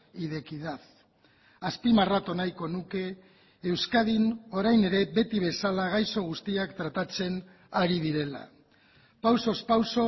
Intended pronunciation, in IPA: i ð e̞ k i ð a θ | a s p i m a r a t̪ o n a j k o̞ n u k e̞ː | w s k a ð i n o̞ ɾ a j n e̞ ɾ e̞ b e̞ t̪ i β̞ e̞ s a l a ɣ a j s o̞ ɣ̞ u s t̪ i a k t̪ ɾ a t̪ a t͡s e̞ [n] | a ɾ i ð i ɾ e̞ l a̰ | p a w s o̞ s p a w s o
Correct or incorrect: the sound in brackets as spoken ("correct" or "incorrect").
correct